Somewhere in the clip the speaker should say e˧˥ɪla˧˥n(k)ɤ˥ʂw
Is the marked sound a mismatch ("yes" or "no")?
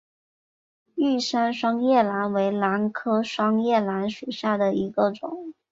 yes